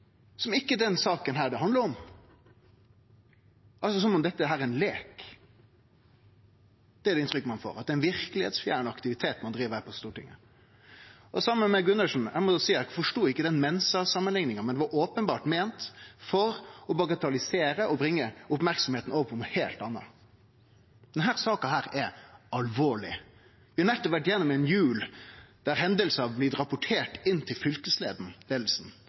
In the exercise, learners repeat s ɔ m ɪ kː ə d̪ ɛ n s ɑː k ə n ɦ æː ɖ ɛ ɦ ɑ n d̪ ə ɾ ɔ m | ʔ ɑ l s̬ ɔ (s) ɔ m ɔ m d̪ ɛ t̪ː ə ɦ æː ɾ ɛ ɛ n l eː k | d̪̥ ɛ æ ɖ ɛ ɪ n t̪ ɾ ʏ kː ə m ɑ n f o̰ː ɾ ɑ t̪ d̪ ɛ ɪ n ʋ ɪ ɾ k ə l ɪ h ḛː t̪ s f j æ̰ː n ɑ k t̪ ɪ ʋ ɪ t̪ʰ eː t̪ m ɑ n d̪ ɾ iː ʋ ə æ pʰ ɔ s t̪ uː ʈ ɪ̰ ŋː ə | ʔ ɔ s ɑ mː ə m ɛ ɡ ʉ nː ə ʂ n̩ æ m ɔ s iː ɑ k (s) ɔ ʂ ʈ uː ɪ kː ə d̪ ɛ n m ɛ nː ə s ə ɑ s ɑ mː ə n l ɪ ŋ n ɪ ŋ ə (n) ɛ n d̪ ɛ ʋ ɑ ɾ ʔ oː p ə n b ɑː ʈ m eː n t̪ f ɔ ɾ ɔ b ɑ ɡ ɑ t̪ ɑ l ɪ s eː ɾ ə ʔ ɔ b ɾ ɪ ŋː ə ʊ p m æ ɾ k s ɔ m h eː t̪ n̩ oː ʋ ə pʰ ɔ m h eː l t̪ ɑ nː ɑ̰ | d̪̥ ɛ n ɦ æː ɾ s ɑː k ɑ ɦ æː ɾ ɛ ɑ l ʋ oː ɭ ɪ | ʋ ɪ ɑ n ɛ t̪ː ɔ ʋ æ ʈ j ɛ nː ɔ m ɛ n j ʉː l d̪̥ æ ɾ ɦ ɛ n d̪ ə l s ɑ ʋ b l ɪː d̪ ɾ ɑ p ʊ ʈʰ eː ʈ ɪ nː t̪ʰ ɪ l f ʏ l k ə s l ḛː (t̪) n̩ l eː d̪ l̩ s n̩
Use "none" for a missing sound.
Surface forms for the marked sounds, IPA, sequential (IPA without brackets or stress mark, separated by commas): s, f, m, d̪